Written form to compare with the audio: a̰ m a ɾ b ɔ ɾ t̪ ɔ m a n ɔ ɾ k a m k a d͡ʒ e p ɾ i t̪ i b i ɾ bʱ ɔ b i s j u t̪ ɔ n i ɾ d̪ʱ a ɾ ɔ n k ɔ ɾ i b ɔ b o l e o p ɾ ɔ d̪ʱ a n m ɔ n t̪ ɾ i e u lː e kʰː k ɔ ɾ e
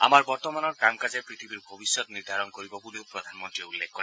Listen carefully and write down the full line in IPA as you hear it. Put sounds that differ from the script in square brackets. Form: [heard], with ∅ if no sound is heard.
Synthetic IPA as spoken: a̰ m a ɾ b ɔ ɾ t̪ ɔ m a n ɔ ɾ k a m k a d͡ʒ e p ɾ i [t̪ʰ] i b i ɾ bʱ ɔ b i s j [ɔ] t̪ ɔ n i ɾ d̪ʱ a ɾ ɔ n k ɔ ɾ i b ɔ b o l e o p ɾ ɔ d̪ʱ a n m ɔ n t̪ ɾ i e u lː e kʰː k ɔ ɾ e